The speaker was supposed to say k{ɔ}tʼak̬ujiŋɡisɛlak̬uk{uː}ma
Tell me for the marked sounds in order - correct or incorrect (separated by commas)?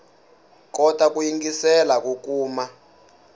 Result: correct, correct